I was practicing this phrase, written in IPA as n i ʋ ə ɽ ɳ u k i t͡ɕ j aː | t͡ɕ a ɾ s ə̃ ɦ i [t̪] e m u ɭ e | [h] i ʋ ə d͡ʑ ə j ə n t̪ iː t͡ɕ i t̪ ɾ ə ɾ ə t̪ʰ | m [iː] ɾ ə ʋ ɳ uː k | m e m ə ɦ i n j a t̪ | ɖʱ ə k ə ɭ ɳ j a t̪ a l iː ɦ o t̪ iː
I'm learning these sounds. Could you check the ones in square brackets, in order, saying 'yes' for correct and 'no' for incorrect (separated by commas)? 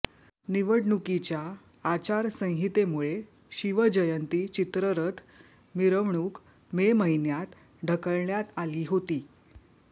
yes, no, no